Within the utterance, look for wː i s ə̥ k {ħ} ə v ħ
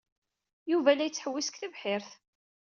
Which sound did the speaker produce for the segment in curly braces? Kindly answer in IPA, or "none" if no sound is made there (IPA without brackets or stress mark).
θ